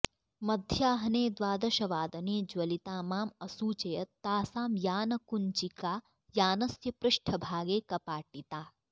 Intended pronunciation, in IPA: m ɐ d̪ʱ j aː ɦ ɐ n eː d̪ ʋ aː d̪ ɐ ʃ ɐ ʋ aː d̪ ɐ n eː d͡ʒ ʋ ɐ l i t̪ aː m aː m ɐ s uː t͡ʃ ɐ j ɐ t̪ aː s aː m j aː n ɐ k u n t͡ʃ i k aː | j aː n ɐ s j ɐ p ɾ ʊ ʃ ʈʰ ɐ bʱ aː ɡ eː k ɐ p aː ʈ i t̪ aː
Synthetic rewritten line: m ɐ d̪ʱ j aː ɦ ɐ n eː d̪ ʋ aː d̪ ɐ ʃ ɐ ʋ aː d̪ ɐ n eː d͡ʒ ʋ ɐ l i t̪ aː m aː m ɐ s uː t͡ʃ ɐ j ɐ t̪ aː s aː m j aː n ɐ k u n t͡ʃ i k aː | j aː n ɐ s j ɐ p ɾ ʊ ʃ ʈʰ ɐ bʱ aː ɡ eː k ɐ p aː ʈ i t̪ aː